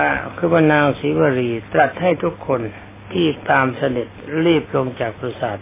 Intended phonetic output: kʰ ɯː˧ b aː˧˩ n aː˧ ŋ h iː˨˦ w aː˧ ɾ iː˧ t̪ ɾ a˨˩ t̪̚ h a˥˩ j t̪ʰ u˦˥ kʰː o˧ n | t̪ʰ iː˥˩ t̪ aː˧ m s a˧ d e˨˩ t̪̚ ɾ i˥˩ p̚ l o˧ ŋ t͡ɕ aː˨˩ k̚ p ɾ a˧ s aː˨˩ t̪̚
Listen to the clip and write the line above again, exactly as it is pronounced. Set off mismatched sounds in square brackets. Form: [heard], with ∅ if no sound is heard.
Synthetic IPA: kʰ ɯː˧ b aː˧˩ n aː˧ ŋ [s] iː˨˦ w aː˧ ɾ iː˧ t̪ ɾ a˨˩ t̪̚ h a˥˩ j t̪ʰ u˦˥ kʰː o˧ n | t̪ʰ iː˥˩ t̪ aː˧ m s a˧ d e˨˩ t̪̚ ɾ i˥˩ p̚ l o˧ ŋ t͡ɕ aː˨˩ k̚ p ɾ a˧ s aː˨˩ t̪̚